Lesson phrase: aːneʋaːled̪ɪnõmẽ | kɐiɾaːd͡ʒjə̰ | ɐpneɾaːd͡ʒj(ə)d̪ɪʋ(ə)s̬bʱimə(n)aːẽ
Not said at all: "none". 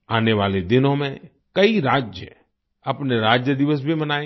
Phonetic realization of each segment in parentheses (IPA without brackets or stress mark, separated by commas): ə, ə, n